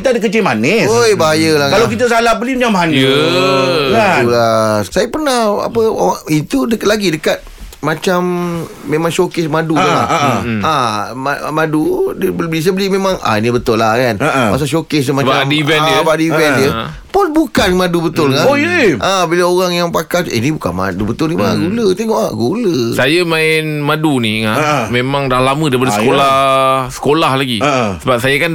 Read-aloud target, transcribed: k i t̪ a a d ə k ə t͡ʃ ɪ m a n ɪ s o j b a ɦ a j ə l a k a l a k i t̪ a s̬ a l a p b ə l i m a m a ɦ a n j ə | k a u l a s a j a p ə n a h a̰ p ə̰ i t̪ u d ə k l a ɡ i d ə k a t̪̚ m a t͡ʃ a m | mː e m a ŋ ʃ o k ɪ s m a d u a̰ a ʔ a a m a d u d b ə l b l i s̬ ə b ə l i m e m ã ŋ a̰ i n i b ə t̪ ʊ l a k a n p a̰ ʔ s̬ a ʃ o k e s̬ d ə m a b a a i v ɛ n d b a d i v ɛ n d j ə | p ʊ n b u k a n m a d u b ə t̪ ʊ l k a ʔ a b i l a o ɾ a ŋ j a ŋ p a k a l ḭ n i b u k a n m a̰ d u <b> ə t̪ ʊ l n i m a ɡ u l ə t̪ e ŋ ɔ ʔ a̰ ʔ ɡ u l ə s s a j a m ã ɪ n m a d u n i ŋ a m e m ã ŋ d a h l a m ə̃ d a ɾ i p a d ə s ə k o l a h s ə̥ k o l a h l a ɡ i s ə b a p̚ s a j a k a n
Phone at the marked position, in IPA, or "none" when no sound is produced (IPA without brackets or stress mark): b